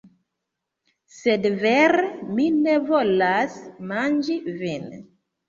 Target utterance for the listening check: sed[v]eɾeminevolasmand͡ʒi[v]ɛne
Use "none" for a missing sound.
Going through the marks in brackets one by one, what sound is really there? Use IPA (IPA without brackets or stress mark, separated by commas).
v, v